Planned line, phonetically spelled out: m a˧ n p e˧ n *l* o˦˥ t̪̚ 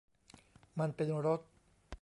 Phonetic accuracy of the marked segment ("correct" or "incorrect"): incorrect